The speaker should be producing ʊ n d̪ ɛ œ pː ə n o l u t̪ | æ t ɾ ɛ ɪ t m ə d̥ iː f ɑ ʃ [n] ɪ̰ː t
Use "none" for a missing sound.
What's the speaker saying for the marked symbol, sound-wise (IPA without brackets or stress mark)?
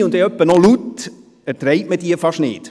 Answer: n